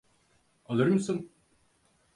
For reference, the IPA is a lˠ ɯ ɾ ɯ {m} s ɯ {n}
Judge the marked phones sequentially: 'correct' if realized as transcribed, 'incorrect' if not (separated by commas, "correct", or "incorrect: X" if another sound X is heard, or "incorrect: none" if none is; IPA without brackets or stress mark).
correct, correct